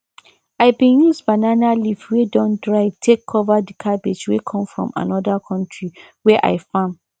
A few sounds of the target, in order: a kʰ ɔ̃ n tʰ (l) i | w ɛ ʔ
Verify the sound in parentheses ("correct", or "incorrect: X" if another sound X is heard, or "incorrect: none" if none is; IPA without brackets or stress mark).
incorrect: ɹ